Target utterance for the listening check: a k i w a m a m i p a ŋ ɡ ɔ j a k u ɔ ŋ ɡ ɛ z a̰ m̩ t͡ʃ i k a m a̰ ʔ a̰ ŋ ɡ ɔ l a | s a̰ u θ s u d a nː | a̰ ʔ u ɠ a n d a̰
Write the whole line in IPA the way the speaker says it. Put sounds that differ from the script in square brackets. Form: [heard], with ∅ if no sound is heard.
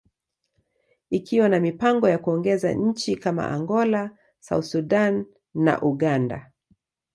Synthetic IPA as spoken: [i] k i w a [n] a m i p a ŋ ɡ ɔ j a k u ɔ ŋ ɡ ɛ z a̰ [ɲ̩] t͡ʃ i k a m a̰ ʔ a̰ ŋ ɡ ɔ l a | s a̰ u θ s u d a nː | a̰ ʔ u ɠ a n d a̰